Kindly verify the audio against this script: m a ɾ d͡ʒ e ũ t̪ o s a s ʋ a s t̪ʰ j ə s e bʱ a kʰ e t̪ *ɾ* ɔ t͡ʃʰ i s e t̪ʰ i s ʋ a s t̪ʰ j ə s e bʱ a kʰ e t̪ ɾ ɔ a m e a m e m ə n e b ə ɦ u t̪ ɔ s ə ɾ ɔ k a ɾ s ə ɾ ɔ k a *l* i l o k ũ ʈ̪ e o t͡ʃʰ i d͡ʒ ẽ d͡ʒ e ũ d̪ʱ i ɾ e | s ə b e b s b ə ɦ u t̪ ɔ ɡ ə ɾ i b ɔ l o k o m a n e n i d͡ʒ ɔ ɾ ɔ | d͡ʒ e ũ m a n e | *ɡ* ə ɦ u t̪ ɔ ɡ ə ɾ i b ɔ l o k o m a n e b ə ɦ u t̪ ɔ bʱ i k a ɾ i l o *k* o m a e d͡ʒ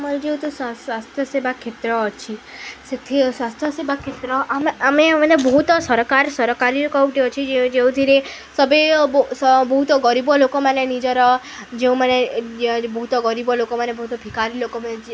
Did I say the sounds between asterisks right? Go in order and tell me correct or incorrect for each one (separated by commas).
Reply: correct, incorrect, incorrect, correct